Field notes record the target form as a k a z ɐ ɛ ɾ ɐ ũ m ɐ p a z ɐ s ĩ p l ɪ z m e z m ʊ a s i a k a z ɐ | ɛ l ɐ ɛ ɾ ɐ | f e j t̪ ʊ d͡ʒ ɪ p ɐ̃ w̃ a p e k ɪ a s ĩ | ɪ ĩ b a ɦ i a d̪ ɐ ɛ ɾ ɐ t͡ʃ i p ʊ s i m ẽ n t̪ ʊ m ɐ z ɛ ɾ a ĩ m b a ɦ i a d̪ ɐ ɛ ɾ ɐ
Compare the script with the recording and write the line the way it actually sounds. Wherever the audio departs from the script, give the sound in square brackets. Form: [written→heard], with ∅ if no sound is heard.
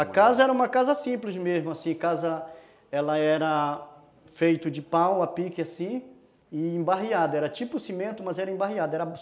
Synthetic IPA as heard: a k a z ɐ ɛ ɾ ɐ ũ m ɐ [p→k] a z ɐ s ĩ p l ɪ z m e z m ʊ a s [i→ĩ] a k a z ɐ | ɛ l ɐ ɛ ɾ ɐ | f e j t̪ ʊ d͡ʒ ɪ p ɐ̃ w̃ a p [e→i] k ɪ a s ĩ | ɪ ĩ b a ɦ i a d̪ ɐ ɛ ɾ ɐ t͡ʃ i p ʊ s i m ẽ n t̪ ʊ m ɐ z ɛ ɾ [a→ɐ] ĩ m b a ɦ i a d̪ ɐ ɛ ɾ ɐ